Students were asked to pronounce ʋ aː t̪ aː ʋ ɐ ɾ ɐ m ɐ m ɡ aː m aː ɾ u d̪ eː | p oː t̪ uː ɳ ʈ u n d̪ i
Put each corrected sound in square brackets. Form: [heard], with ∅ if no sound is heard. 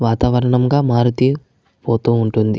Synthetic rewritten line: ʋ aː t̪ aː ʋ ɐ ɾ ɐ [ɳ] ɐ m ɡ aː m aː ɾ u [t̪] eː | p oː t̪ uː ɳ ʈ u n d̪ i